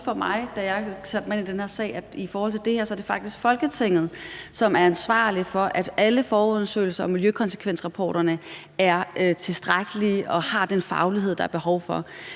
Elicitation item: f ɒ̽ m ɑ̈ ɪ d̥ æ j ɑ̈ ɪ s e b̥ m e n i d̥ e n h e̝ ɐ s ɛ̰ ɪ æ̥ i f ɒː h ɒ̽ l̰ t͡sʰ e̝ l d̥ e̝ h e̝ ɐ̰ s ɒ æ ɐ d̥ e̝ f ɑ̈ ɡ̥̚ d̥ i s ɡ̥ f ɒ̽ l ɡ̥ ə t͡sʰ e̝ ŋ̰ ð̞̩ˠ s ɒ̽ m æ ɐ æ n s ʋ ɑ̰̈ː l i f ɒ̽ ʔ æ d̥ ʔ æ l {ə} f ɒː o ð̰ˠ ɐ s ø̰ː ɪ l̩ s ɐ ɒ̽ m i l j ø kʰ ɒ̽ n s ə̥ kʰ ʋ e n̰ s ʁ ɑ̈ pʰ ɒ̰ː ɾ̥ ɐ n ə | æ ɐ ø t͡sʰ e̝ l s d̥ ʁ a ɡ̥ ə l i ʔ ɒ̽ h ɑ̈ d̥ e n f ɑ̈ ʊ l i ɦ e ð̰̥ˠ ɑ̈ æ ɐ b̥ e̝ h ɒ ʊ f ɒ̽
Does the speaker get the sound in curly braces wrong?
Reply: no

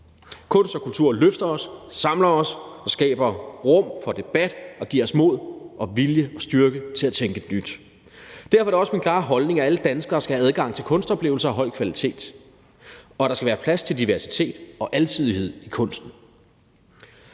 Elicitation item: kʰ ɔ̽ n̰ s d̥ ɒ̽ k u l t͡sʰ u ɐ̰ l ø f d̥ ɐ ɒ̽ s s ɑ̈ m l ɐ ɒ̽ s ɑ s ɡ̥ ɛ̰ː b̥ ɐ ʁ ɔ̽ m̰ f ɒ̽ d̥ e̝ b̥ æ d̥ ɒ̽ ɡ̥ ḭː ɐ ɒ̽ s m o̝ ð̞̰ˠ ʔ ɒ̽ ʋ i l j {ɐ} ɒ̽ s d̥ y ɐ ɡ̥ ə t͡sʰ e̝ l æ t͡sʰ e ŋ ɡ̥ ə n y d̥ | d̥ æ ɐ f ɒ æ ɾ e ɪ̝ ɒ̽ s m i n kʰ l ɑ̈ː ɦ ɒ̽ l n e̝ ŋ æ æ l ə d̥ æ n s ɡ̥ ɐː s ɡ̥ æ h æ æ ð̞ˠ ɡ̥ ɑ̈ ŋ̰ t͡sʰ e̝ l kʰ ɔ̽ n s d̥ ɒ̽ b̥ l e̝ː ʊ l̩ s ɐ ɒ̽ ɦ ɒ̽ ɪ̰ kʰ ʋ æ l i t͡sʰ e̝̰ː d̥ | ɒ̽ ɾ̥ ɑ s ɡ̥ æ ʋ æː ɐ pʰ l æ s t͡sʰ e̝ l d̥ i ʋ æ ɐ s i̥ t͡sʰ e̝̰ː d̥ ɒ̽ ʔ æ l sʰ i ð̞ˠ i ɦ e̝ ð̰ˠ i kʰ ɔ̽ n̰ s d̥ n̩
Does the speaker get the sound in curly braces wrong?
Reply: yes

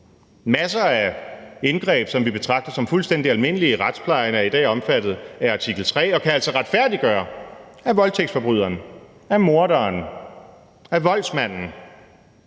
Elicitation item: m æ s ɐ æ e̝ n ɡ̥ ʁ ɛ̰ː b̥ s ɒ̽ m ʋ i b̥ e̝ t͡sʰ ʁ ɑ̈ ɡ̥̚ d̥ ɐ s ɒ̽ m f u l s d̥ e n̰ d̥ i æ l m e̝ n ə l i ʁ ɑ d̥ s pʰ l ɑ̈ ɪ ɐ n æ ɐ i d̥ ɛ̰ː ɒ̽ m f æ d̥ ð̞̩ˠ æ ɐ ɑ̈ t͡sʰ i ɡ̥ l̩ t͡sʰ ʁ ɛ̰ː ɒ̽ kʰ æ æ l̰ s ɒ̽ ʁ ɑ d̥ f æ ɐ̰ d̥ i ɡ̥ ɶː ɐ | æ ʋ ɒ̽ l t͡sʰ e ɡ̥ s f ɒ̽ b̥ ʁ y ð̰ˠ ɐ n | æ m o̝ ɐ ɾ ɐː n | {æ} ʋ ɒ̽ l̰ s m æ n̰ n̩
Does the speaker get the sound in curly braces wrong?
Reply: no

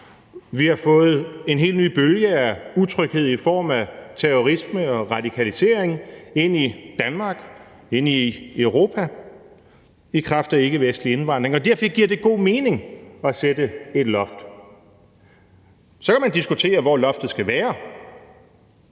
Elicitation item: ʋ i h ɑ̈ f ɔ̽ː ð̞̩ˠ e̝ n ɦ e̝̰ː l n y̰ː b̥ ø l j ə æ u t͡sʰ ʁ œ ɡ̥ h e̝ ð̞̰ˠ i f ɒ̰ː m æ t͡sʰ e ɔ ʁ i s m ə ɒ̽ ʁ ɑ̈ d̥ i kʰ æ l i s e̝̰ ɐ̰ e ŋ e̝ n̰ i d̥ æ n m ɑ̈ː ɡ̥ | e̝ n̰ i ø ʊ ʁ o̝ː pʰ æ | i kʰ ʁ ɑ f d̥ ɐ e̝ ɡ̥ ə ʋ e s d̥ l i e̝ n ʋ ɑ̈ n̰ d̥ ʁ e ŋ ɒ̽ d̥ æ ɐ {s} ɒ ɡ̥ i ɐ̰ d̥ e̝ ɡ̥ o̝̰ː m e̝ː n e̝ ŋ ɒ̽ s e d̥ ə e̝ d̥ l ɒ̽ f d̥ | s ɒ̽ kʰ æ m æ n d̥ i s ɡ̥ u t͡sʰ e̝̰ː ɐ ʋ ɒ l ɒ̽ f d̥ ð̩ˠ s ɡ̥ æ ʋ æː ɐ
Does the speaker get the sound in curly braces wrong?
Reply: yes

